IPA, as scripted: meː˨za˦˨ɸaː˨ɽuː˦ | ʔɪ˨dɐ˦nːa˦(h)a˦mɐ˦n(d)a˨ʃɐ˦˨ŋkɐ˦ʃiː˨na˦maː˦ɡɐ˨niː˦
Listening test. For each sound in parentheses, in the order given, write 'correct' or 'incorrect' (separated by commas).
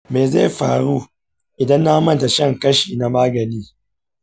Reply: correct, incorrect